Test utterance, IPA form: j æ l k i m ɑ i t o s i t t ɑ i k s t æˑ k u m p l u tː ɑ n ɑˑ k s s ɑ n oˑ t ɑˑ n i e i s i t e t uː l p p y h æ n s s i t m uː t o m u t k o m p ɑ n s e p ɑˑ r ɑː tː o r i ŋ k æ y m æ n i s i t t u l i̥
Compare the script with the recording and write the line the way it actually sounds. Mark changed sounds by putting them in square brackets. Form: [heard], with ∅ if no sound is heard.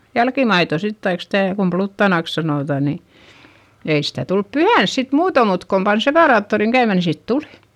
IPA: j æ l k i m ɑ i t o s i t t ɑ i k s t æˑ k u m p l u tː ɑ n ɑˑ k s s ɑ n oˑ t ɑˑ n i e i s i t [æ] t [u] l p p y h æ n s s i t m uː t o m u t k o m p ɑ n s e p ɑˑ r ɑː tː o r i ŋ k æ y m æ n i s i t t u l i̥